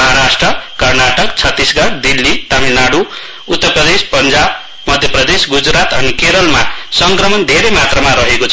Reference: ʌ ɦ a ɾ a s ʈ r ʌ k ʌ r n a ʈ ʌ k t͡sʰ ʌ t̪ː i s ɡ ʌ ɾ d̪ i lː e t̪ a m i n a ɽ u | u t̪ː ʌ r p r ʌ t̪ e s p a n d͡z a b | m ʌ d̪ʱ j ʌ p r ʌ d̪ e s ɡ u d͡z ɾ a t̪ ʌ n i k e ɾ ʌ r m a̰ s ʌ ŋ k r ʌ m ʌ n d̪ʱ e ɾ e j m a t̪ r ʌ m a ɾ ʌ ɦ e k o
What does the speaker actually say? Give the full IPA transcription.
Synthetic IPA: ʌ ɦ a ɾ a s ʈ r ʌ k ʌ r n a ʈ ʌ k t͡sʰ ʌ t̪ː i s ɡ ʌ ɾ d̪ i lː i t̪ a m i n a ɽ u | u t̪ː ʌ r p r ʌ d̪ e s p ʌ n d͡z a b | m ʌ d̪ʱ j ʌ p r ʌ d̪ e s ɡ u d͡z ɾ a t̪ ʌ n i k e ɾ ʌ l m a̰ s ʌ ŋ k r ʌ m ʌ n d̪ʱ e ɾ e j m a t̪ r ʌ m a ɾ ʌ ɦ e k o

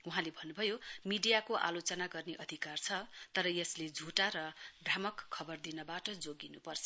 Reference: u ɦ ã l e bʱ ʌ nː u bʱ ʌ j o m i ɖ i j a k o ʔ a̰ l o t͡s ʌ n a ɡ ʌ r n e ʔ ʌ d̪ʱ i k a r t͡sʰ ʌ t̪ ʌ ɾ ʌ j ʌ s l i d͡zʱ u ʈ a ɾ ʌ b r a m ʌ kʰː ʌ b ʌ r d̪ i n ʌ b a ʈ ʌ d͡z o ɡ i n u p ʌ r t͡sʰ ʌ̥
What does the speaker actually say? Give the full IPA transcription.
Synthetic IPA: u ɦ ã l e bʱ ʌ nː u bʱ ʌ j o m i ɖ i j a k o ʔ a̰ l o t͡s ʌ n a ɡ ʌ r n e ʔ ʌ d̪ʱ i k a r t͡sʰ ʌ t̪ ʌ ɾ ʌ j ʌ s l e d͡zʱ u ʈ a ɾ ʌ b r a m ʌ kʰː ʌ b ʌ r d̪ i n ʌ b a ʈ ʌ d͡z o ɡ i n u p ʌ r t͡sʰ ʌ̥

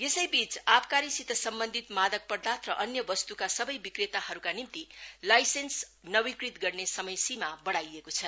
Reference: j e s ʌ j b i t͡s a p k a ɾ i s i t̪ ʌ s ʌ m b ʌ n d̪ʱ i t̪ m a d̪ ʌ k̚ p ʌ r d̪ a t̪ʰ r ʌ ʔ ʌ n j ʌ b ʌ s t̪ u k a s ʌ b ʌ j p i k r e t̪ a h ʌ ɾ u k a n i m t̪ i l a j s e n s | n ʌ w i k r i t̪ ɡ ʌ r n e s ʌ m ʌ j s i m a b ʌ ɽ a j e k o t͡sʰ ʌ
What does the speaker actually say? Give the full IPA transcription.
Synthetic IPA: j e s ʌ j b i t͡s a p k a ɾ i s i t̪ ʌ s ʌ m b ʌ n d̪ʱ i t̪ m a d̪ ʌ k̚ p ʌ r d̪ a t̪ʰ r ʌ ʔ ʌ n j ʌ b ʌ s t̪ u k a s ʌ b ʌ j b i k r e t̪ a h ʌ ɾ u k a n i m t̪ i l a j s e n s | n ʌ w i k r i t̪ ɡ ʌ r n e s ʌ m ʌ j s i m a b ʌ ɽ a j e k o t͡sʰ ʌ

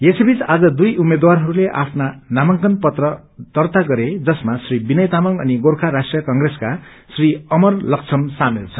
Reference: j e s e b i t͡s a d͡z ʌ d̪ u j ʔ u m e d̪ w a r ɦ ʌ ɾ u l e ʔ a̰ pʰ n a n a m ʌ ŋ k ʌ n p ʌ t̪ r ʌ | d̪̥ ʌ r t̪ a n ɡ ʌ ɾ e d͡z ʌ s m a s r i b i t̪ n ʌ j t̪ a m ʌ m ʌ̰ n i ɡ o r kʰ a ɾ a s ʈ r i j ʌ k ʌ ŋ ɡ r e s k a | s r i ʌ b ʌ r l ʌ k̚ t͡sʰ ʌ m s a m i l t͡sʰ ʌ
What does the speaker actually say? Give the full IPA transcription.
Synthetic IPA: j e s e b i t͡s a d͡z ʌ d̪ u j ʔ u m e d̪ w a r ɦ ʌ ɾ u l e ʔ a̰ pʰ n a n a m ʌ ŋ k ʌ n p ʌ t̪ r ʌ | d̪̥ ʌ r t̪ a ɡ ʌ ɾ e d͡z ʌ s m a s r i b i n ʌ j t̪ a m ʌ ŋ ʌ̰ n i ɡ o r kʰ a ɾ a s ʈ r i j ʌ k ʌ ŋ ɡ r e s k a | s r i ʌ m ʌ r l ʌ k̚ t͡sʰ ʌ m s a m i l t͡sʰ ʌ

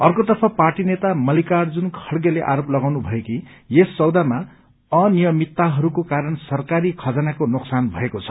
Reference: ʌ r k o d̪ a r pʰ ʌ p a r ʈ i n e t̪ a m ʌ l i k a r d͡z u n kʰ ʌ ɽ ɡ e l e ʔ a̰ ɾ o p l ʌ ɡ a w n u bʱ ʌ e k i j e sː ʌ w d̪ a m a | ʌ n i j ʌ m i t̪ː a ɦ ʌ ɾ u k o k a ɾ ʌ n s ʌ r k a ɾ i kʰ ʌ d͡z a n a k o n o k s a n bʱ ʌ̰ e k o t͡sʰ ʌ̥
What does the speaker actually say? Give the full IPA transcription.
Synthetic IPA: ʌ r k o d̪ ʌ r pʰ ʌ p a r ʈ i n e t̪ a m ʌ l i k a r d͡z u n kʰ ʌ ɽ ɡ e l e ʔ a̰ ɾ o p l ʌ ɡ a w n u bʱ ʌ e k i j e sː ʌ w d̪ a m a | ʌ n i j ʌ m i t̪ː a ɦ ʌ ɾ u k o k a ɾ ʌ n s ʌ r k a ɾ i kʰ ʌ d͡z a n a k o n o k s a n bʱ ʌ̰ e k o t͡sʰ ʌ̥

